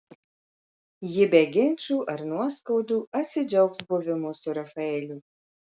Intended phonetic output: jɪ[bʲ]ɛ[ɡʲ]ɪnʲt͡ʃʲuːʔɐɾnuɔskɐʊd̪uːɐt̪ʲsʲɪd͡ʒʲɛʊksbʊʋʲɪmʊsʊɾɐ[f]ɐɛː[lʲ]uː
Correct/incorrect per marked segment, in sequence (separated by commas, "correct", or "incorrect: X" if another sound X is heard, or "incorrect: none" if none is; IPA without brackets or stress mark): correct, correct, correct, correct